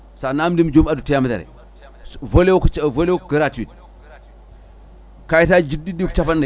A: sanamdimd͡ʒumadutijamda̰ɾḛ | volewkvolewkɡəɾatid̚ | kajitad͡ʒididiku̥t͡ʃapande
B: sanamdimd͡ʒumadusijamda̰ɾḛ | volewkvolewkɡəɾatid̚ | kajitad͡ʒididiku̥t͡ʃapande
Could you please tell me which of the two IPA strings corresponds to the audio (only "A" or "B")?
A